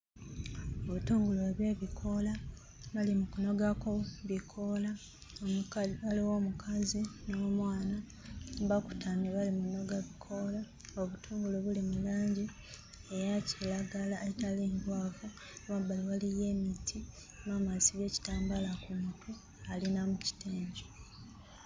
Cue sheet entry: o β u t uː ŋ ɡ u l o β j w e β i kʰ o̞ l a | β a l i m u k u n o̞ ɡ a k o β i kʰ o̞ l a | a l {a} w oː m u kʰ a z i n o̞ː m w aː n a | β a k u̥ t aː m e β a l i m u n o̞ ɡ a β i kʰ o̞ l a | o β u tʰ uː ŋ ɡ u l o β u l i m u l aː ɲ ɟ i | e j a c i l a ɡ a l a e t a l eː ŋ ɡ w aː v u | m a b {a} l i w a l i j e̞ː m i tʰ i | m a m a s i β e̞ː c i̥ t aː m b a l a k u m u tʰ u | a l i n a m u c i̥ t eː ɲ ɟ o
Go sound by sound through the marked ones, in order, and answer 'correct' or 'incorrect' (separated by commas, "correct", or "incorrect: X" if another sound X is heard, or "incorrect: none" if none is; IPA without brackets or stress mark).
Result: incorrect: i, correct